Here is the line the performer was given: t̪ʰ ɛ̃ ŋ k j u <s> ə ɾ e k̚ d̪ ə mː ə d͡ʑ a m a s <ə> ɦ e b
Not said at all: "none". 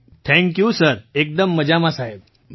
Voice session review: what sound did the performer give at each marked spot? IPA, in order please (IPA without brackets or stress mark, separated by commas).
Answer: s, a